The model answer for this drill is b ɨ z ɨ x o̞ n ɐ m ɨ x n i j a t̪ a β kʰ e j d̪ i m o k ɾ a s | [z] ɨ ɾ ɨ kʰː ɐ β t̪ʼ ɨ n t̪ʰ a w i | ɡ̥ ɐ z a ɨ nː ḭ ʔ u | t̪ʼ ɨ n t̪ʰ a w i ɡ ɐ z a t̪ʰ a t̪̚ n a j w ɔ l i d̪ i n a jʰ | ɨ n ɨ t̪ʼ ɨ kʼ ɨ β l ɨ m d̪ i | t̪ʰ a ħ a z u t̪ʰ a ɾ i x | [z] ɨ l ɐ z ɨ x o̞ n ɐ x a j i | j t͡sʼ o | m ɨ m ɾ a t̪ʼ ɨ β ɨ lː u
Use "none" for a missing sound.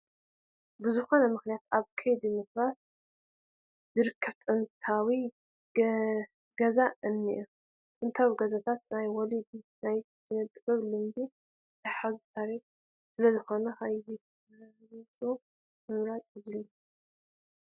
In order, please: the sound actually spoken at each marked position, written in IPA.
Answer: z, s

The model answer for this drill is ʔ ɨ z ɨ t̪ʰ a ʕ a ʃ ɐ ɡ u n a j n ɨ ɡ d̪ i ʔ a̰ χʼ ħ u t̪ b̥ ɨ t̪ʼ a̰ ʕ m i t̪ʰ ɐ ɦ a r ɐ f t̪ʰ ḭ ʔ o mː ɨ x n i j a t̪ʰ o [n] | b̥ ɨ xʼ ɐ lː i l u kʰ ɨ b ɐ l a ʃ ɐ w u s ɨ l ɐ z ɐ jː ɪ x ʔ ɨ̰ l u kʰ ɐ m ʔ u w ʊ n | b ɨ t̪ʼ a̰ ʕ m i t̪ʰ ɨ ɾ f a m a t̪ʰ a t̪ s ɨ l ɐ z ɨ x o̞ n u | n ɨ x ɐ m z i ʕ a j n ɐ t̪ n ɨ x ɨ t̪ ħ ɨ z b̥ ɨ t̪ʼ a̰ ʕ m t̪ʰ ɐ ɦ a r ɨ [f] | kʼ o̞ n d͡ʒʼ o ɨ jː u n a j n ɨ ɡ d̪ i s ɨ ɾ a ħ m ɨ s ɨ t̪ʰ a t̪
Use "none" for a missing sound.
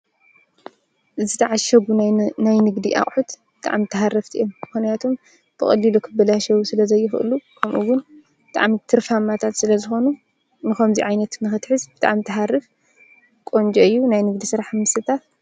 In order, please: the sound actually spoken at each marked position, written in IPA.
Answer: m, f

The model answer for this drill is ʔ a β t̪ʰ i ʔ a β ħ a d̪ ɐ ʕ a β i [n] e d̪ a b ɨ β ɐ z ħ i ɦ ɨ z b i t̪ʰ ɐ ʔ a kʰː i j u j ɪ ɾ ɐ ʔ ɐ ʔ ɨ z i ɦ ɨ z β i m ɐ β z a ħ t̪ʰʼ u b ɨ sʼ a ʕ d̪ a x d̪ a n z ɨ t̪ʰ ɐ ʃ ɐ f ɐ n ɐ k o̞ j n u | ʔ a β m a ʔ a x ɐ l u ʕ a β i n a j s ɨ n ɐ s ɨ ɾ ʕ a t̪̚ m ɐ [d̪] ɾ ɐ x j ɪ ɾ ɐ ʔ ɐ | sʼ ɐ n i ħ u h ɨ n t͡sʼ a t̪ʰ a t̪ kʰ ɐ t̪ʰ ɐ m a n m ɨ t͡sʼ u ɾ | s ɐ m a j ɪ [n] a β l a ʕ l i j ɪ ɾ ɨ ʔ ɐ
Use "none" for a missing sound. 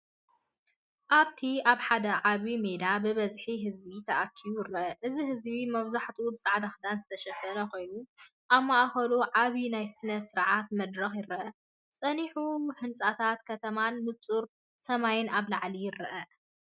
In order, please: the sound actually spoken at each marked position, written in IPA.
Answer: m, d̪, n

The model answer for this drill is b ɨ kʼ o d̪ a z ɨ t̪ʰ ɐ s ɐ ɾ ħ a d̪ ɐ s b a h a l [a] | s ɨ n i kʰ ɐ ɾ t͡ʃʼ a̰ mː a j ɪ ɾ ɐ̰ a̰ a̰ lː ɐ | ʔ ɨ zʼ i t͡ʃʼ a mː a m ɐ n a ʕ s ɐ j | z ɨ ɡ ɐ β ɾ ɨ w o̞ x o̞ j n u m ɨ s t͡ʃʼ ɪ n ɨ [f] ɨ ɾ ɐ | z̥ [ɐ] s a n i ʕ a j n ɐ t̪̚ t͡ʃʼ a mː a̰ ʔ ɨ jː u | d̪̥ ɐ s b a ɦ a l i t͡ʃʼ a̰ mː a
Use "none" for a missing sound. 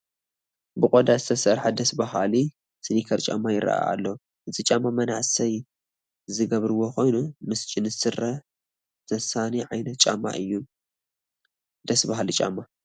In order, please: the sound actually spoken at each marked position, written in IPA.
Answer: i, s, ɐ

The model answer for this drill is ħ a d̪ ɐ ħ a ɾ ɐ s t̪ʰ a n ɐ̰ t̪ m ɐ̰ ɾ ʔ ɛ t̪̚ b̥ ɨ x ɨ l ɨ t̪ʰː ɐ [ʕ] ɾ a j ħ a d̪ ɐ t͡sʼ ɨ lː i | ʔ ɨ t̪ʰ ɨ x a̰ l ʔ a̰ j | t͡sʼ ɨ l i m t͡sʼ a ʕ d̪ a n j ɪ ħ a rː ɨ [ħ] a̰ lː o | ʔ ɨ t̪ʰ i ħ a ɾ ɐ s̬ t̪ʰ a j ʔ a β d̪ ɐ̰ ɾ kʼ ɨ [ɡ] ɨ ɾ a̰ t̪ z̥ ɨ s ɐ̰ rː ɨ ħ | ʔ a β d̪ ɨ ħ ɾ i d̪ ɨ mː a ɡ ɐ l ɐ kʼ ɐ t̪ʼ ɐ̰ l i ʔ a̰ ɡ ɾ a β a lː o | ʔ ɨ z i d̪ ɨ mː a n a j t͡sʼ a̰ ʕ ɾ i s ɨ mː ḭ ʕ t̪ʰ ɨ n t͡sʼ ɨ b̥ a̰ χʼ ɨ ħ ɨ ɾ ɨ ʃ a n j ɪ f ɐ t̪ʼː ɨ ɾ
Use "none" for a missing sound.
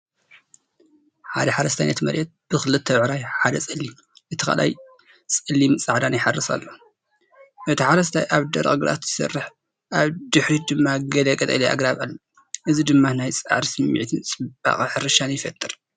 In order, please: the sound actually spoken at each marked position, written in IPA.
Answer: ʕ, s, ɡ

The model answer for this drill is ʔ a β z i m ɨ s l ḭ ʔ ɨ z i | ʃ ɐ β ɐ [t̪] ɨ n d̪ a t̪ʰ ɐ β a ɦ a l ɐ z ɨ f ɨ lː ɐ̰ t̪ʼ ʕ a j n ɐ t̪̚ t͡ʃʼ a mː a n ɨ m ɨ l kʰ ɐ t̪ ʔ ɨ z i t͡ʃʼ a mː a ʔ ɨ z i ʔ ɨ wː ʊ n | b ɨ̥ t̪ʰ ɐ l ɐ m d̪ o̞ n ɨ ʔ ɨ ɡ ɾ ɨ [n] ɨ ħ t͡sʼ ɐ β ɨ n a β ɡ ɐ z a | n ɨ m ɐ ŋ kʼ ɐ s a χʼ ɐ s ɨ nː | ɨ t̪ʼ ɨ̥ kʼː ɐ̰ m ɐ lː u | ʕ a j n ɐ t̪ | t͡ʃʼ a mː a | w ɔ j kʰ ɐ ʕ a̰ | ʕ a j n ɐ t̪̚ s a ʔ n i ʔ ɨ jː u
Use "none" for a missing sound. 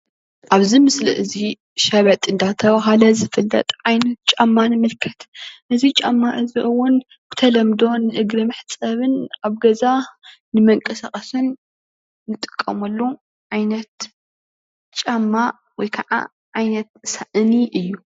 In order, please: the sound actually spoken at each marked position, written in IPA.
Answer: t̪ʼ, m

